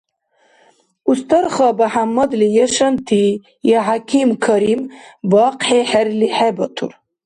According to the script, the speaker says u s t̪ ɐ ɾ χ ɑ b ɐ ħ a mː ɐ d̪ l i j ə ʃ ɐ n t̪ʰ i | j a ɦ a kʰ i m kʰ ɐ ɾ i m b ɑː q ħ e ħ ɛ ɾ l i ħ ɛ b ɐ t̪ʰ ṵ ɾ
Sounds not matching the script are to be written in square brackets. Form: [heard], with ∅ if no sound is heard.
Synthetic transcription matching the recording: u s t̪ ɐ ɾ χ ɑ b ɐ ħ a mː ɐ d̪ l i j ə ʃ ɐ n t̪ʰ i | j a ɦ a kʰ i m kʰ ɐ ɾ i m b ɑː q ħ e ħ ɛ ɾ l i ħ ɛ b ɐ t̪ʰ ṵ ɾ